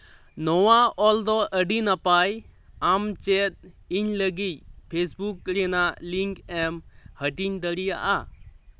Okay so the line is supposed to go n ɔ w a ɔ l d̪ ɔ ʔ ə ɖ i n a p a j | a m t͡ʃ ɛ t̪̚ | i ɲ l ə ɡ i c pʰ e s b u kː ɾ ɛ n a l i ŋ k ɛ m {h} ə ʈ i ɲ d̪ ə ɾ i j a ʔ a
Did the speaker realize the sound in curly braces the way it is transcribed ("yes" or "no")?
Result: yes